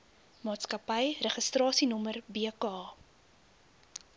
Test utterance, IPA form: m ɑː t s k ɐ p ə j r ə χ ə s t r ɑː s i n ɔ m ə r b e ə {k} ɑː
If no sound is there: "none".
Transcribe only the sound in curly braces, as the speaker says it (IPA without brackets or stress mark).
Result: k